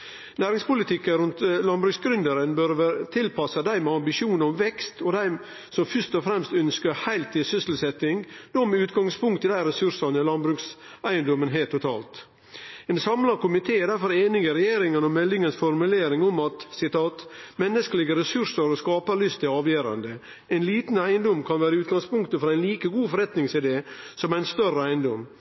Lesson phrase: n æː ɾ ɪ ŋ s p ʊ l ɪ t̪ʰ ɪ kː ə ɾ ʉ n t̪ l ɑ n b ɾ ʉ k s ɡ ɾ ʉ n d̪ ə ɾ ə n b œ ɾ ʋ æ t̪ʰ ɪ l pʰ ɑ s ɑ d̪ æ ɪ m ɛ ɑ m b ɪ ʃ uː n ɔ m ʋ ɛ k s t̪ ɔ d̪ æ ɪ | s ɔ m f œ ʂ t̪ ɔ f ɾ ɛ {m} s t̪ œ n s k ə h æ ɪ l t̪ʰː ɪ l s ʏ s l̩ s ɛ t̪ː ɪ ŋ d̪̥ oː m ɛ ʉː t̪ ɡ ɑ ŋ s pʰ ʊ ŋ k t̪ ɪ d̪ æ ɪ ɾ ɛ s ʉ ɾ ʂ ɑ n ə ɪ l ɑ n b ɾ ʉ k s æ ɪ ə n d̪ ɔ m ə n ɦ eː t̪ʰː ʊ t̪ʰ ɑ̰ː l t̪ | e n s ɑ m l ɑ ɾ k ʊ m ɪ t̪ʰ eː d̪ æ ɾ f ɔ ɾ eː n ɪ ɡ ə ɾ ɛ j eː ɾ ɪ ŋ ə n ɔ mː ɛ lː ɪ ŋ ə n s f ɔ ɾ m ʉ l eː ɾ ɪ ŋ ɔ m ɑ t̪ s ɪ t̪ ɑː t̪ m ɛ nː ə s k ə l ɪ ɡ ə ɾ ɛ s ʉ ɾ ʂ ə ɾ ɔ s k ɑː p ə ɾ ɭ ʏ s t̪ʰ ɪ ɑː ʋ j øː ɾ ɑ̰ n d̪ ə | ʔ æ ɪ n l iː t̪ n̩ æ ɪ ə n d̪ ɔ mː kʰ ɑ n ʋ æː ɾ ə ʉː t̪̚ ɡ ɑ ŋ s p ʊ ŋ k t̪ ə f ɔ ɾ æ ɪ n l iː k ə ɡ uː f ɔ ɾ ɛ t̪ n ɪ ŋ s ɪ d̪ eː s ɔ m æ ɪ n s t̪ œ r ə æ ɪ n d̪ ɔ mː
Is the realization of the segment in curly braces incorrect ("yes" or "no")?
no